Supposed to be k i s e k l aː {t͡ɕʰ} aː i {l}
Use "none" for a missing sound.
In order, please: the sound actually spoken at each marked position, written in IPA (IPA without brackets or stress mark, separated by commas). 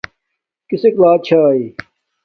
t͡ɕʰ, none